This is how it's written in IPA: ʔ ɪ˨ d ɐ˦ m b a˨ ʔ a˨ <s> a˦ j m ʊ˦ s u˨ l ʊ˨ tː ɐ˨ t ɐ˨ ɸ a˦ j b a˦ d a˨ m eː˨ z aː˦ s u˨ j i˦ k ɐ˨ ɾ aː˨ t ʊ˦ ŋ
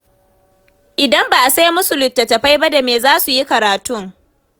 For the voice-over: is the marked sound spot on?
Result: yes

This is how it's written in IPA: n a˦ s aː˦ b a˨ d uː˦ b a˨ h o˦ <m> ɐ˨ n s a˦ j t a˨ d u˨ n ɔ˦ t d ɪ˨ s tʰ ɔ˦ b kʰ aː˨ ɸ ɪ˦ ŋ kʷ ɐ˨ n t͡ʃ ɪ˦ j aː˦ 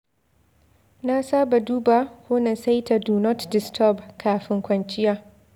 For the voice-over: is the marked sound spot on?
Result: no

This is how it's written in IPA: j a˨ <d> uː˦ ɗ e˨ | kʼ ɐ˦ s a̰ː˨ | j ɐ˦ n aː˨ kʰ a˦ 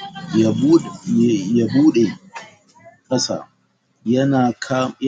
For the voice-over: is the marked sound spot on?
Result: no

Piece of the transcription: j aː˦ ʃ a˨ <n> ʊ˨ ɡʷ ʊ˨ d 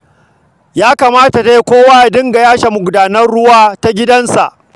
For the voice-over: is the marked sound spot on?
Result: no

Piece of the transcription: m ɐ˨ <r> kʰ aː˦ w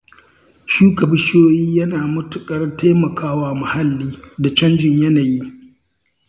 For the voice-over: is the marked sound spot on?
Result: no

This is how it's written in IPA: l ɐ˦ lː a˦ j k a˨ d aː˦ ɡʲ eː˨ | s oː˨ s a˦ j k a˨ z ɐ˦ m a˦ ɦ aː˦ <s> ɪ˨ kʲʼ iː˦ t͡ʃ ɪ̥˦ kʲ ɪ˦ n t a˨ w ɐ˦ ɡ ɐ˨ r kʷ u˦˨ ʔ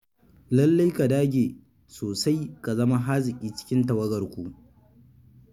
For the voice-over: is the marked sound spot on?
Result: no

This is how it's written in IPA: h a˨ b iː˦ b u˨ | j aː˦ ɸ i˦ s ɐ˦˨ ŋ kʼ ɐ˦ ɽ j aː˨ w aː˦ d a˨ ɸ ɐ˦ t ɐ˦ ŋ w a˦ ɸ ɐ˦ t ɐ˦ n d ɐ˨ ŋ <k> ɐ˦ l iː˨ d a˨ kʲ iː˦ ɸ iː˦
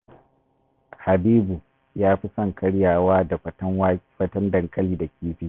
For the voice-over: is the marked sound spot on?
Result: no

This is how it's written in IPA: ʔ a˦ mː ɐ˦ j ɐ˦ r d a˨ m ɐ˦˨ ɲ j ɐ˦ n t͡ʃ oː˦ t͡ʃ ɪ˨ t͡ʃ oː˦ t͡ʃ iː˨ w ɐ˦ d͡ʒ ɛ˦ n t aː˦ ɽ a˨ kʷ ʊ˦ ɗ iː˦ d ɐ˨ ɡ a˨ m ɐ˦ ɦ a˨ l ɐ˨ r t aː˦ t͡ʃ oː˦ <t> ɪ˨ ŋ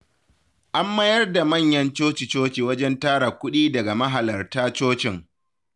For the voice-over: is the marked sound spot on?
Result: no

